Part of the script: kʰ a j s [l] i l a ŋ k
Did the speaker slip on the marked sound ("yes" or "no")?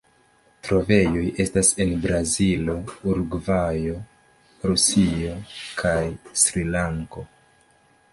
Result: yes